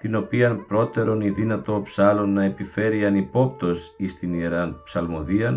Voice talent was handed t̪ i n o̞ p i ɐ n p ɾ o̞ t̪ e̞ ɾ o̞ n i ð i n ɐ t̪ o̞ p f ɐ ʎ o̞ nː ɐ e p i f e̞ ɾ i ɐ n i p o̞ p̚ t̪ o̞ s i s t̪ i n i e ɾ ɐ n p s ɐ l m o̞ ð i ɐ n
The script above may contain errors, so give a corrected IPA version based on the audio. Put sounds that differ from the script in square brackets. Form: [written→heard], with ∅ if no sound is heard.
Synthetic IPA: t̪ i n o̞ p i ɐ n p ɾ o̞ t̪ e̞ ɾ o̞ n i ð i n ɐ t̪ o̞ p [f→s] ɐ [ʎ→l] o̞ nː ɐ e p i f e̞ ɾ i ɐ n i p o̞ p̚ t̪ o̞ s i s t̪ i n i e ɾ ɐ n p s ɐ l m o̞ ð i ɐ n